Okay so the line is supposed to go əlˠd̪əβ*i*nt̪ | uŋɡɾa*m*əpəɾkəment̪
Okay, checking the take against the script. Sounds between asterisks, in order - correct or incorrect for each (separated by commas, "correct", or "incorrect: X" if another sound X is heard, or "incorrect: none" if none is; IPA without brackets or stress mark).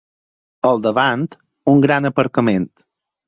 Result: incorrect: a, incorrect: n